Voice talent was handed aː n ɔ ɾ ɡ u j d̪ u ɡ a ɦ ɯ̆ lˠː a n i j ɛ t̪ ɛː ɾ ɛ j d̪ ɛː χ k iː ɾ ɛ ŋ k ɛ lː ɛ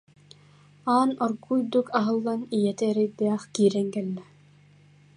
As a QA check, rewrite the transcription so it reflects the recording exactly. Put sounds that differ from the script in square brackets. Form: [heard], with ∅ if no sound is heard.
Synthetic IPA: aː n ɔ ɾ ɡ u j d̪ u [k] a ɦ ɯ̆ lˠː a n i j ɛ t̪ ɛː ɾ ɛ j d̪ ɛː χ k iː ɾ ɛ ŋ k ɛ lː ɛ